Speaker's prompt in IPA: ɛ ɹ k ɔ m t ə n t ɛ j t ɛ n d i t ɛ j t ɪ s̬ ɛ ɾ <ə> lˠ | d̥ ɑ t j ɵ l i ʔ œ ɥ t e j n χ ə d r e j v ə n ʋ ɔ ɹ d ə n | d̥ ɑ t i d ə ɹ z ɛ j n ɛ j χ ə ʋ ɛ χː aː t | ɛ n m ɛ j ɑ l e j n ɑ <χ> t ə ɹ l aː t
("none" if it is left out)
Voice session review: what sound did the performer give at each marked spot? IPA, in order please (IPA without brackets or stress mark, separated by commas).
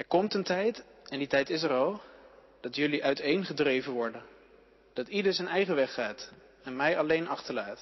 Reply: ɑ, χ